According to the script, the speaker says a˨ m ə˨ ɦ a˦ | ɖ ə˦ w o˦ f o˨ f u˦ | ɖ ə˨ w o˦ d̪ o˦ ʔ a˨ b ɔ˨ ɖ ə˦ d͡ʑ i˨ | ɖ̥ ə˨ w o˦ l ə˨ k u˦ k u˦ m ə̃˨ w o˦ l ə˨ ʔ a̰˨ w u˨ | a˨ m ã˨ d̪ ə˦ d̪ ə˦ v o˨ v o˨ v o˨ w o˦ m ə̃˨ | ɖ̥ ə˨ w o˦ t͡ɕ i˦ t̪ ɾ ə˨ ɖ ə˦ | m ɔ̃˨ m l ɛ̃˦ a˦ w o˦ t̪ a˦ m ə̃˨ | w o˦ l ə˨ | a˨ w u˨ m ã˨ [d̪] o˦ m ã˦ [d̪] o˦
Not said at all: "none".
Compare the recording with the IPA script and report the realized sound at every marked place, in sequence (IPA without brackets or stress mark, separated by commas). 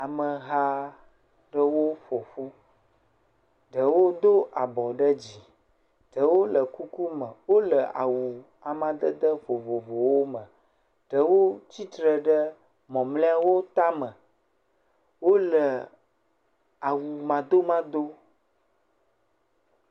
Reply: d̪, d̪